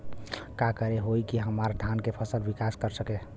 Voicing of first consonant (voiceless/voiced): voiceless